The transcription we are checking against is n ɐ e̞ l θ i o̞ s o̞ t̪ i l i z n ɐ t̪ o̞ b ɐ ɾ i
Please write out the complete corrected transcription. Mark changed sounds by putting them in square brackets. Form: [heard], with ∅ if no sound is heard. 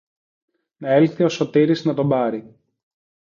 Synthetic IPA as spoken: n ɐ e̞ l θ i o̞ s o̞ t̪ i [ɾ] i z n ɐ t̪ o̞ b ɐ ɾ i